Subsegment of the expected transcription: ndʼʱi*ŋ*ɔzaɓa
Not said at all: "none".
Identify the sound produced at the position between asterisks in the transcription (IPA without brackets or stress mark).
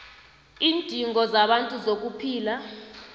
ŋ